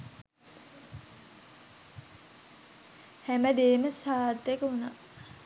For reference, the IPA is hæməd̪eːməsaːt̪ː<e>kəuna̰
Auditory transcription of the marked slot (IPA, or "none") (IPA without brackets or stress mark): e